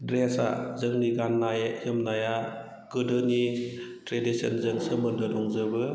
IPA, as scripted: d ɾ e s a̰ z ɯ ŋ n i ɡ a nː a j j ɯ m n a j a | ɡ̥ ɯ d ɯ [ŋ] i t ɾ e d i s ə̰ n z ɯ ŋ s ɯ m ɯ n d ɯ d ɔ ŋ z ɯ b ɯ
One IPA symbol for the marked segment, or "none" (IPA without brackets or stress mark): n